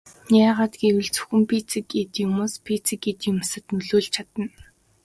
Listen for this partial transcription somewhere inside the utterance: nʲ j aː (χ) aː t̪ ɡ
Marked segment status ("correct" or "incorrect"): incorrect